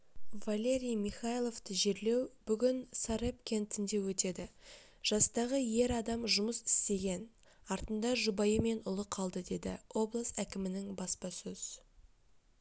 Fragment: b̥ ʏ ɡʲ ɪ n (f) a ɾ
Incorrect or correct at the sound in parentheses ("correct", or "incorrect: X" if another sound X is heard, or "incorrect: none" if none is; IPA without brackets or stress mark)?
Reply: incorrect: s